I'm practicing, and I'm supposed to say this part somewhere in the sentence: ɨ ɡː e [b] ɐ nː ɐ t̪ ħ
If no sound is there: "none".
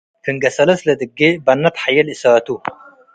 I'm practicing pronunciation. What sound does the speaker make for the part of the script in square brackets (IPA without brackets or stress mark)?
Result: b